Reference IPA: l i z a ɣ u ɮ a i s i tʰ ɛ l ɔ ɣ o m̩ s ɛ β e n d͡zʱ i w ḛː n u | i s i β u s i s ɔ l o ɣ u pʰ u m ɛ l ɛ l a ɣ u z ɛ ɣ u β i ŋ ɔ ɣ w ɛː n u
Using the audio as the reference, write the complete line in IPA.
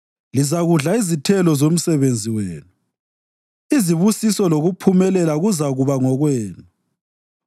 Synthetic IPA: l i z a ɣ u ɮ a i z i tʰ ɛ l ɔ z o m̩ s ɛ β e n d͡zʱ i w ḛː n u | i z i β u s i s ɔ l o ɣ u pʰ u m ɛ l ɛ l a ɣ u z a ɣ u β a ŋ ɔ ɣ w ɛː n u